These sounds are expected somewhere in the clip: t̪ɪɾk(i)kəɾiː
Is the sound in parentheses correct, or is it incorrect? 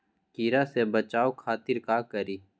incorrect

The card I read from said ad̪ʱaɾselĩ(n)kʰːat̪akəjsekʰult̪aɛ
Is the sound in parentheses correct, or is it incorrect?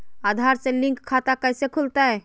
incorrect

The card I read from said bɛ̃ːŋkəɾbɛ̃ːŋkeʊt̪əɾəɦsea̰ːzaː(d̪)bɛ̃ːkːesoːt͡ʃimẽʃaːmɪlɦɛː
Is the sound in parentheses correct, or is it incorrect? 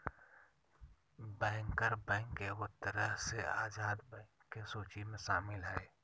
correct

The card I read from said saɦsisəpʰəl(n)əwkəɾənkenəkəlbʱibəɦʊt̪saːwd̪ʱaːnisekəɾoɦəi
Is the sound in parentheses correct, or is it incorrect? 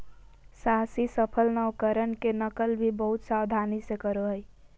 correct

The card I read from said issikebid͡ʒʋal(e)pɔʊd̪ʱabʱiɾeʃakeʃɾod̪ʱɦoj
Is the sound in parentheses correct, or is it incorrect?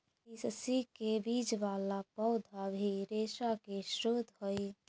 incorrect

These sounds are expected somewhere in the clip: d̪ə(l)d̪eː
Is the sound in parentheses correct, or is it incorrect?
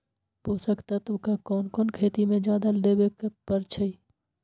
correct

